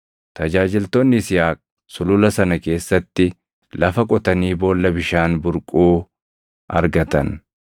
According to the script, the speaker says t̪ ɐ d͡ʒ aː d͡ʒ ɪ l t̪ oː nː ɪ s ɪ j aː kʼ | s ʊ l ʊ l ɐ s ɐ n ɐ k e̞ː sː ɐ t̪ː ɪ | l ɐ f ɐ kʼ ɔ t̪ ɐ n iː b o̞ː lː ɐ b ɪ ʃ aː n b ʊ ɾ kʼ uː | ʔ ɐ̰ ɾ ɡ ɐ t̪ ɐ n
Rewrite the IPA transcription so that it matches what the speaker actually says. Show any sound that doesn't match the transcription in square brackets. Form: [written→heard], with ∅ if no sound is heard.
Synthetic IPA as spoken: t̪ ɐ d͡ʒ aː d͡ʒ ɪ l t̪ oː nː ɪ s ɪ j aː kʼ | s ʊ l ʊ l ɐ s ɐ n ɐ k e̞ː sː ɐ t̪ː ɪ | l ɐ f ɐ kʼ ɔ t̪ ɐ n iː b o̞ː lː ɐ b ɪ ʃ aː n b ʊ ɾ kʼ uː | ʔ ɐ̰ ɾ ɡ ɐ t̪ ɐ n

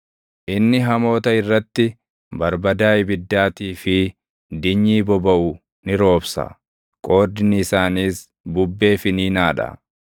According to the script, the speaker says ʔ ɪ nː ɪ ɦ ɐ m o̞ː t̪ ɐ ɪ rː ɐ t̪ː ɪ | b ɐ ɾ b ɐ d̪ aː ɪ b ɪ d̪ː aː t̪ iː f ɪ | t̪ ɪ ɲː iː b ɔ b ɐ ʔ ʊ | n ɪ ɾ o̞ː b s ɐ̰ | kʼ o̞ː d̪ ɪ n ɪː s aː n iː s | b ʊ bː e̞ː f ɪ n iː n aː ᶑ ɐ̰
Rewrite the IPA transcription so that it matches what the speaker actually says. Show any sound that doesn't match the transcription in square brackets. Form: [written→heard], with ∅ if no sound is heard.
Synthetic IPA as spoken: ʔ ɪ nː ɪ ɦ ɐ m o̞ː t̪ ɐ ɪ rː ɐ t̪ː ɪ | b ɐ ɾ b ɐ d̪ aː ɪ b ɪ d̪ː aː t̪ iː f ɪ | [t̪→d̪] ɪ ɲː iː b ɔ b ɐ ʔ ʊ | n ɪ ɾ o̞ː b s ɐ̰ | kʼ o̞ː d̪ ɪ n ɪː s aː n iː s | b ʊ bː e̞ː f ɪ n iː n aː ᶑ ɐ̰

